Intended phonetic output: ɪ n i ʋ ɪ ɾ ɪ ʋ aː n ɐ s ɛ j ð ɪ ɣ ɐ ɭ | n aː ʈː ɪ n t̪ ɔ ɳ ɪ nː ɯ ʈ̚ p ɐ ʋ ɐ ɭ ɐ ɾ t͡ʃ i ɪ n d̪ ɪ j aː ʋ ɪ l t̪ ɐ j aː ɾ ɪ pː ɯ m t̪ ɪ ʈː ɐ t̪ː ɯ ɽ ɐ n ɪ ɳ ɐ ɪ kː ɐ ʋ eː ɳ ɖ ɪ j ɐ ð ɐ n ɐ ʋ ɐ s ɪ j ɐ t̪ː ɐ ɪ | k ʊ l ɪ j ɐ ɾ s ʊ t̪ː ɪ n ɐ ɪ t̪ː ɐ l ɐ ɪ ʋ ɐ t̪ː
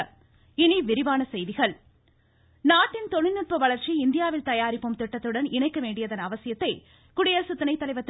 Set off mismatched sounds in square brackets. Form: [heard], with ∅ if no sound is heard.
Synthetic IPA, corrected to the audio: ɪ n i ʋ ɪ ɾ ɪ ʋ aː n ɐ s ɛ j ð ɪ ɣ ɐ ɭ | n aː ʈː ɪ n t̪ ɔ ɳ ɪ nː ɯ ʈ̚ p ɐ ʋ ɐ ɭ ɐ ɾ t͡ʃ i ɪ n d̪ ɪ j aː ʋ ɪ l t̪ ɐ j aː ɾ ɪ pː ɯ m t̪ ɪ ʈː ɐ t̪ː ɯ ɽ ɐ n ɪ ɳ ɐ ɪ kː ɐ ʋ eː ɳ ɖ ɪ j ɐ ð ɐ n ɐ ʋ ɐ s ɪ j ɐ t̪ː ɐ ɪ | k ʊ [ɽ] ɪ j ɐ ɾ s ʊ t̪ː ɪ n ɐ ɪ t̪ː ɐ l ɐ ɪ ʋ ɐ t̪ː